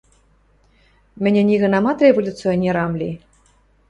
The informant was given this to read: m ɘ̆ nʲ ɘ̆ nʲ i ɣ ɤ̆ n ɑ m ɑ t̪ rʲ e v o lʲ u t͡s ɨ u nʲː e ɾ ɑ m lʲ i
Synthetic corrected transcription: m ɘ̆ nʲ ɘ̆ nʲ i ɣ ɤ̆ n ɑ m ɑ t̪ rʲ e v o lʲ u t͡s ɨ o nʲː e ɾ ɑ m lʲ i